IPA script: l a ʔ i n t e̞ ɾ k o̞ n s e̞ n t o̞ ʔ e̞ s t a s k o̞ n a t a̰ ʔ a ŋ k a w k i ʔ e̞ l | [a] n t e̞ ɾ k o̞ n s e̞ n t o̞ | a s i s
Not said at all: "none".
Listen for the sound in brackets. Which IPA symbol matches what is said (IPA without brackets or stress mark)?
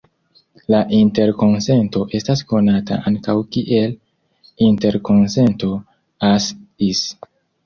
i